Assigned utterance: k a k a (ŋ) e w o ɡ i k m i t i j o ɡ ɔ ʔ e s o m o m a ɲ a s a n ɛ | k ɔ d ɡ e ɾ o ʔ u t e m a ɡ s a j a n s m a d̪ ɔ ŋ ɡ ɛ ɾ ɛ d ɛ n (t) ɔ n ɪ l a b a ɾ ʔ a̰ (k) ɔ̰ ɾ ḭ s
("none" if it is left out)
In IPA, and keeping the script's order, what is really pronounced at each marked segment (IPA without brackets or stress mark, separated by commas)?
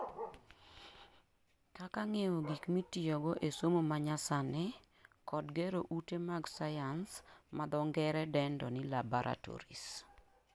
ŋ, d, t